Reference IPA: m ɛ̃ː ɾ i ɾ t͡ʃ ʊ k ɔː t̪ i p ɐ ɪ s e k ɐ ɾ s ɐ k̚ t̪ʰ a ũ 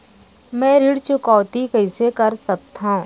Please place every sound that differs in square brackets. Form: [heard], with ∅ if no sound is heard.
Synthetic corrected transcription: m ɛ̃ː ɾ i [ɽ] t͡ʃ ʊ k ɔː t̪ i [k] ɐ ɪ s e k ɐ ɾ s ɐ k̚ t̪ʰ a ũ